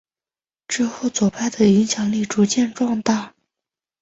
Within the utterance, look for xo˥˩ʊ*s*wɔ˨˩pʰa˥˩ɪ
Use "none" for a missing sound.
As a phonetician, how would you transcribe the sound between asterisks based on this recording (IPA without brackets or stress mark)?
t͡s